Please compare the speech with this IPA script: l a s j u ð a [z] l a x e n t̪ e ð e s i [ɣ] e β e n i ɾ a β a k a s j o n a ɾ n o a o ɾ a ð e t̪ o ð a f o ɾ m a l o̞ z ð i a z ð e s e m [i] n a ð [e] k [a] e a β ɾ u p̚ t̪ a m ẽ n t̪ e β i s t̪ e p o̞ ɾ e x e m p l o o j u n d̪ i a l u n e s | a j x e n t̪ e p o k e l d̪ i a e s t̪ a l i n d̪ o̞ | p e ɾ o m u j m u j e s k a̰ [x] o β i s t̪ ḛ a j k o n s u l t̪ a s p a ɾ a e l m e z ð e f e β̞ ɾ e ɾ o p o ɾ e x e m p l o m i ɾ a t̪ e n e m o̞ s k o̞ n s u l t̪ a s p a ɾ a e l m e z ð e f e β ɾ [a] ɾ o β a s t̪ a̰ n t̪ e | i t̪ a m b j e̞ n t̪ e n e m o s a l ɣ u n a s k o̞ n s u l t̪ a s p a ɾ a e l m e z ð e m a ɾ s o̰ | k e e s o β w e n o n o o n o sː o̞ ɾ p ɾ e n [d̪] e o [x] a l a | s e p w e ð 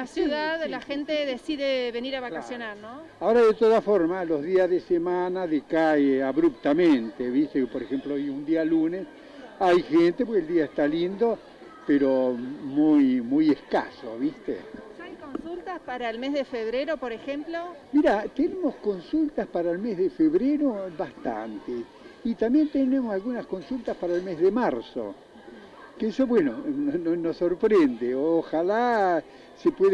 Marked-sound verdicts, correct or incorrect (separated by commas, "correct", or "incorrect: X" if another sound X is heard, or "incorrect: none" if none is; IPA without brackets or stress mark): incorrect: ð, incorrect: ð, incorrect: a, correct, correct, incorrect: s, incorrect: e, correct, correct